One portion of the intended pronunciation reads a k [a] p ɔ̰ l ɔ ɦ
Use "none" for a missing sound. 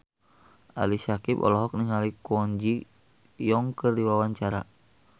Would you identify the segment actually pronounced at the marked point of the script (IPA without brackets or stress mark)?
i